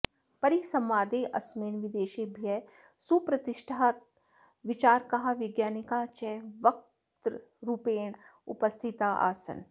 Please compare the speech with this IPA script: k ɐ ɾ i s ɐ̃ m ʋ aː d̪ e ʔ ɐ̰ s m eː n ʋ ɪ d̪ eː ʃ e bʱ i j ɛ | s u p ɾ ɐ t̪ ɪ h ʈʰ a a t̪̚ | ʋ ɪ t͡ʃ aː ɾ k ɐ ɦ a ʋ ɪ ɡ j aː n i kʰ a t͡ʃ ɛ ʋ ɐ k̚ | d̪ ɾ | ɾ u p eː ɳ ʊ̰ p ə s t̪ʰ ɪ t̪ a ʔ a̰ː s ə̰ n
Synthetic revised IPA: p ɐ ɾ i s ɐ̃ m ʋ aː d̪ e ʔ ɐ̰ s m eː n ʋ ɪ d̪ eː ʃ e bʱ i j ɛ | s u p ɾ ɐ t̪ ɪ ʃ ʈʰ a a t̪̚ | ʋ ɪ t͡ʃ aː ɾ k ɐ ɦ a ʋ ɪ ɡ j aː n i k a t͡ʃ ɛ ʋ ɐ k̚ | t̪ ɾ | ɾ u p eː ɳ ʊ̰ p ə s t̪ʰ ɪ t̪ a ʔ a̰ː s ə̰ n